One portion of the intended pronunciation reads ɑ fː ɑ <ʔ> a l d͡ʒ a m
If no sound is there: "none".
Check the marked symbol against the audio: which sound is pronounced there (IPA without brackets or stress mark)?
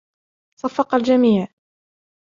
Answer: q